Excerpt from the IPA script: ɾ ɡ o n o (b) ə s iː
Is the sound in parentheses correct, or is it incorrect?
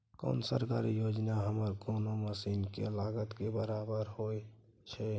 incorrect